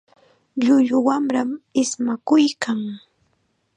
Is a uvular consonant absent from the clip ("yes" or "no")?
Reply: yes